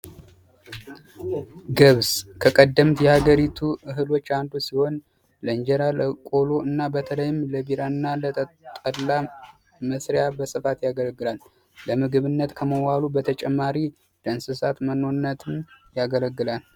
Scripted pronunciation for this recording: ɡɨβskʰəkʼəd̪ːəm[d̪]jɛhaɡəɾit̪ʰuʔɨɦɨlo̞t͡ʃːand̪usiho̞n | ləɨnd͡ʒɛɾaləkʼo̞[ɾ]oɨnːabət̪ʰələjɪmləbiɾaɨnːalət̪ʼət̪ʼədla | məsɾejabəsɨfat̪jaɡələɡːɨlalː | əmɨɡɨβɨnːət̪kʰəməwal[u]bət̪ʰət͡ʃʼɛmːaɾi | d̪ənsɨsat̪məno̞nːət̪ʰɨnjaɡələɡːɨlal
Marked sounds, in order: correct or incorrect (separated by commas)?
incorrect, incorrect, correct